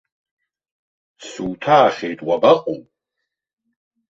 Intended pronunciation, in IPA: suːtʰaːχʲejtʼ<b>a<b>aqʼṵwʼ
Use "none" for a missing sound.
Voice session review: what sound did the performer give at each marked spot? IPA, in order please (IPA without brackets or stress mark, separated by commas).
w, b